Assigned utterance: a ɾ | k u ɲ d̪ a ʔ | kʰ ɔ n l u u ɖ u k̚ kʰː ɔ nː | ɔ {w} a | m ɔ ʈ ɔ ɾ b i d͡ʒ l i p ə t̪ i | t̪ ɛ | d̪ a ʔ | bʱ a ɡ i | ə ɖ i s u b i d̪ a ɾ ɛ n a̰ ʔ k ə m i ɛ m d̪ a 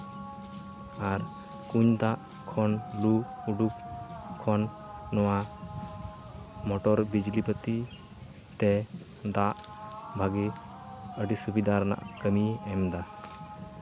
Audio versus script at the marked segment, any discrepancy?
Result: no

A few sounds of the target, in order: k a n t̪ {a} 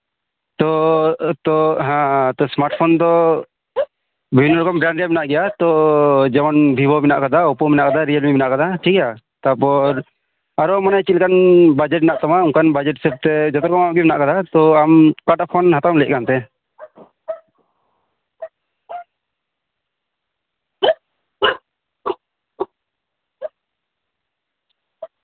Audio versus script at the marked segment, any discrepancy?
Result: yes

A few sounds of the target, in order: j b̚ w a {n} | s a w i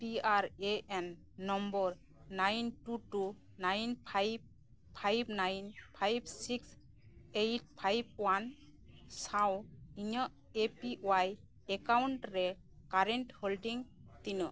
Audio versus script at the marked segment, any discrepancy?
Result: no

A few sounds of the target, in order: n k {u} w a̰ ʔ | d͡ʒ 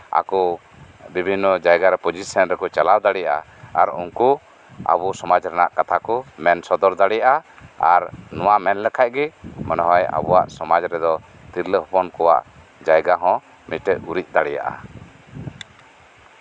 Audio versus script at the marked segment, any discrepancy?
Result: yes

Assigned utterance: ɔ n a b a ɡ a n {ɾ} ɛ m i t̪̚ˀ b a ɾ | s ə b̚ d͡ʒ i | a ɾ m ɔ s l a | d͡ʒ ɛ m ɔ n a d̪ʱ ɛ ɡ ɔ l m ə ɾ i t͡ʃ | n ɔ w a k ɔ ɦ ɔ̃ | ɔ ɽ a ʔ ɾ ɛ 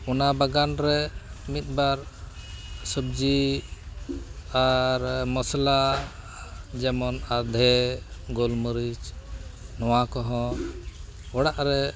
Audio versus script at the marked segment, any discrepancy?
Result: no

